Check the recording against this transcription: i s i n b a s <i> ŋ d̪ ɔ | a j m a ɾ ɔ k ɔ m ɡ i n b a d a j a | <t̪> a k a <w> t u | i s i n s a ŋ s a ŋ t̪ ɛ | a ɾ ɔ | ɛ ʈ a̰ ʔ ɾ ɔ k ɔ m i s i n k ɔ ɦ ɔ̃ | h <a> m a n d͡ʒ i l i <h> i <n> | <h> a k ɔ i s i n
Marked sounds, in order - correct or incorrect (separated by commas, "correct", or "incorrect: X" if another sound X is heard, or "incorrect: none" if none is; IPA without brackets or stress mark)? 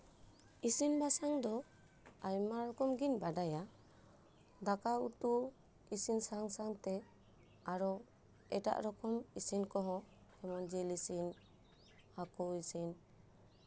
incorrect: a, incorrect: d̪, incorrect: u, incorrect: ɛ, incorrect: s, correct, correct